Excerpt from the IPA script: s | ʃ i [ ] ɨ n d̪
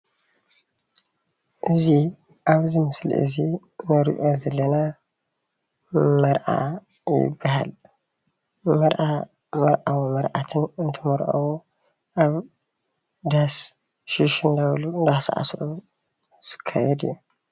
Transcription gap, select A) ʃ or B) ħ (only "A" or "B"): A